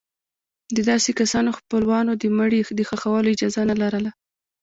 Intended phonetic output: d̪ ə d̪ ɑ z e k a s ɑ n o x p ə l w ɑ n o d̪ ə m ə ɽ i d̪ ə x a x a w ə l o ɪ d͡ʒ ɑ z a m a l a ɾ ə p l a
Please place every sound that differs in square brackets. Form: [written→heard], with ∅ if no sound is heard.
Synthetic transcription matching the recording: d̪ ə d̪ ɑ [z→s] e k a s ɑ n o x p ə l w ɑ n o d̪ ə m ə ɽ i d̪ ə x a x a w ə l o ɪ d͡ʒ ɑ z a [m→n] a l a ɾ ə [p→∅] l a